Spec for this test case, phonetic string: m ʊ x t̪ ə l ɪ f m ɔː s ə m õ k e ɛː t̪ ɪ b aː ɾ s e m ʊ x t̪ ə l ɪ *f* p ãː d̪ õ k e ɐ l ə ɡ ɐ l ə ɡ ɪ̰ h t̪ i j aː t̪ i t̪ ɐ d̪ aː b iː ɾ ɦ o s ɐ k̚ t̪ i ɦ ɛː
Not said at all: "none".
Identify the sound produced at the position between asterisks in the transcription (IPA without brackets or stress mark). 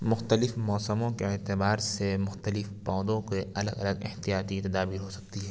f